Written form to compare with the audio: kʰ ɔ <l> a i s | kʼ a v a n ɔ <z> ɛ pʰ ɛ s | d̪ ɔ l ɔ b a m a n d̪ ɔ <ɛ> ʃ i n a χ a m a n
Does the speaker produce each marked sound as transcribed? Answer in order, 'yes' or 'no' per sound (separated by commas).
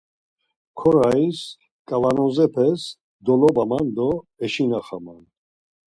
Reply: no, yes, yes